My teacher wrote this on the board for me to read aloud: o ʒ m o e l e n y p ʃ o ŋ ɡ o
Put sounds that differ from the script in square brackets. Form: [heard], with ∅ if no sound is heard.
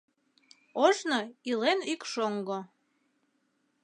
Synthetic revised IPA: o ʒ [n] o [i] l e n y [k] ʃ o ŋ ɡ o